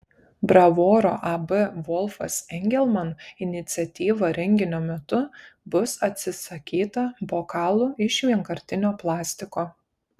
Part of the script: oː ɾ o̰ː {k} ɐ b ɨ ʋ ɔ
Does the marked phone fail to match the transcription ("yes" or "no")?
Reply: yes